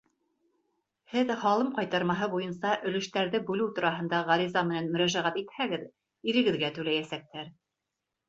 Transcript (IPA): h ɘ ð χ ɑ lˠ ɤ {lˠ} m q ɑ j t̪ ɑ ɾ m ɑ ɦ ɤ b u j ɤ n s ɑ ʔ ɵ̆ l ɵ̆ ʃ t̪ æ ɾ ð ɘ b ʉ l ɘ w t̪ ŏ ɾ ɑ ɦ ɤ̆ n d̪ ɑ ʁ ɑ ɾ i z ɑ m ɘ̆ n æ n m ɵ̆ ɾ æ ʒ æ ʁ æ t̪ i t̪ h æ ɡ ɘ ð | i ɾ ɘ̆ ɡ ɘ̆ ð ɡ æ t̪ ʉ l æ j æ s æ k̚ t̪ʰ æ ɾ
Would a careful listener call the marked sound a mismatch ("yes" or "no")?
yes